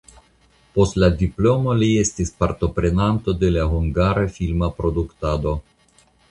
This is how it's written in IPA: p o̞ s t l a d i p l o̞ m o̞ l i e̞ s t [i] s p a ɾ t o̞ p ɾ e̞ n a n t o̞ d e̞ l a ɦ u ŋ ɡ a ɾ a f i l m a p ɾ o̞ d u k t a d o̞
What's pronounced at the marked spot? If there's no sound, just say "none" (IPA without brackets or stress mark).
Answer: i